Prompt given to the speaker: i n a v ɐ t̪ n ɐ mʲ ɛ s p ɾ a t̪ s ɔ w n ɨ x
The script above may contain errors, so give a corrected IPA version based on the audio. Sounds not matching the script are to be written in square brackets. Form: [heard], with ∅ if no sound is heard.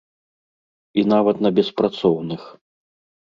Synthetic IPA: i n a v ɐ t̪ n ɐ [bʲ] ɛ s p ɾ a t̪ s ɔ w n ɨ x